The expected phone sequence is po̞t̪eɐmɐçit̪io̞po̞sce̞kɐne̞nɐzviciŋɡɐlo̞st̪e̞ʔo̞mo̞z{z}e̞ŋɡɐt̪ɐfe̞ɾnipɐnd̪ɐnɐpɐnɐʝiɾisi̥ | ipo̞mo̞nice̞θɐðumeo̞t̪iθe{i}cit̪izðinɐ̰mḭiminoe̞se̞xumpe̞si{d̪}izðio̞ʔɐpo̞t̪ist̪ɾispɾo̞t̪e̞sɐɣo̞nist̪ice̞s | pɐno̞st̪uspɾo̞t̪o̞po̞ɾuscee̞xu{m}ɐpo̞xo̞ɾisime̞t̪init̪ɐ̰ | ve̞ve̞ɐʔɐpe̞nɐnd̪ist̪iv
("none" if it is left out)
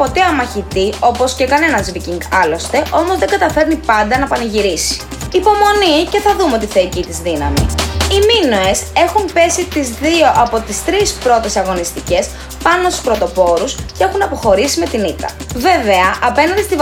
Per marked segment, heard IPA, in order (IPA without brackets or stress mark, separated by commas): ð, i, t̪, n